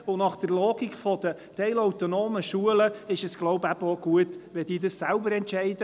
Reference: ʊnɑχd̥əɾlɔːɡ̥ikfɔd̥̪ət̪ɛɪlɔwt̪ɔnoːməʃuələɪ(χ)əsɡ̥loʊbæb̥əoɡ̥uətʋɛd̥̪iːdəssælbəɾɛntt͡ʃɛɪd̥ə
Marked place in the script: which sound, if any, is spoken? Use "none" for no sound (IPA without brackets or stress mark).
ʃ